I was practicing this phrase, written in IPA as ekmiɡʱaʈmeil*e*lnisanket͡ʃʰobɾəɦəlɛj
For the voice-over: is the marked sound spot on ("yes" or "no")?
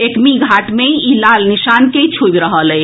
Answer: no